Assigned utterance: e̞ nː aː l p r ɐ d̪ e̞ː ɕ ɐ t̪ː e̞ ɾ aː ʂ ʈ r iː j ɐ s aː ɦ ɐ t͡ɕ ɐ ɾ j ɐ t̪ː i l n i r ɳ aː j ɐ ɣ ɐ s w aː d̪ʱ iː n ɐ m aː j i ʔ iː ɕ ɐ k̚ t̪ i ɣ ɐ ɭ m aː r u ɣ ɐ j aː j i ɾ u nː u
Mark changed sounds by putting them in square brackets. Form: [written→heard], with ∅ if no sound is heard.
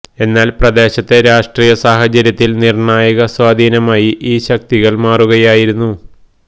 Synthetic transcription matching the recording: e̞ nː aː l p r ɐ d̪ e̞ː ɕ ɐ t̪ː e̞ ɾ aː ʂ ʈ r iː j ɐ s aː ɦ ɐ t͡ɕ ɐ ɾ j ɐ t̪ː i l n i r ɳ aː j ɐ ɣ ɐ s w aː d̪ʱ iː n ɐ m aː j i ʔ iː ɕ ɐ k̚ t̪ i ɣ ɐ ɭ m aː r u ɣ ɐ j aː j i ɾ u nː u